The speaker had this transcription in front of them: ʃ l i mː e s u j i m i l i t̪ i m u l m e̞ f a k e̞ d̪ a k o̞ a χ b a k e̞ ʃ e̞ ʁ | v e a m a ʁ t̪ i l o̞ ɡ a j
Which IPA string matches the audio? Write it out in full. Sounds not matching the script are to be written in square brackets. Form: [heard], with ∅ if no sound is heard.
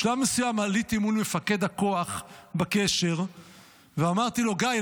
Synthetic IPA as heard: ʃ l [a] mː e s u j [a] m [a] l i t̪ i m u l m e̞ f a k e̞ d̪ a k o̞ a χ b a k e̞ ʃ e̞ ʁ | v e a m a ʁ t̪ i l o̞ ɡ a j